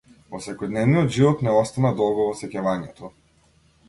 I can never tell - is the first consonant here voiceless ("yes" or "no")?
no